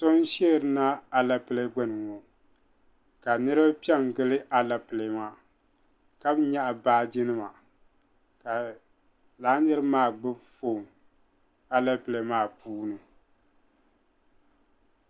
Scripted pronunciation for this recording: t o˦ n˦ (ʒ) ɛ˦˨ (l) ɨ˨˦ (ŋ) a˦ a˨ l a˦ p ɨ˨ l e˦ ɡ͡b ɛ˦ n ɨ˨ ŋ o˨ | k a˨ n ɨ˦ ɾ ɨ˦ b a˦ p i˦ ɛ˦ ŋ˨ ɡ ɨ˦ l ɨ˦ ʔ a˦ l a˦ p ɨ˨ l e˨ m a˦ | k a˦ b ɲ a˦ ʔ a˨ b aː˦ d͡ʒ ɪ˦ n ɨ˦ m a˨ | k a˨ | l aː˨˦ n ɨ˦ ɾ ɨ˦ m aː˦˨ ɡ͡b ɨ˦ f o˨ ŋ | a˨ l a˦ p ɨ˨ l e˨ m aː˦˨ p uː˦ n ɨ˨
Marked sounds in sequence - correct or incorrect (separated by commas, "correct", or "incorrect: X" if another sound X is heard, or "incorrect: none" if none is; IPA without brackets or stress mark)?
incorrect: ʃ, incorrect: ɾ, incorrect: n